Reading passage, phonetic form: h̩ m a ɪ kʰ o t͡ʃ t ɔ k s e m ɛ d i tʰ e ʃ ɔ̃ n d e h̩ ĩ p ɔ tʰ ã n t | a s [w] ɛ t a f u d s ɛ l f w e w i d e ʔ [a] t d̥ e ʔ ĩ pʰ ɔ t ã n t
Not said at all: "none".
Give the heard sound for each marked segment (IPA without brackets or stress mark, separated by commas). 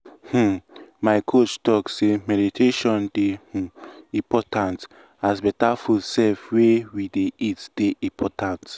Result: b, i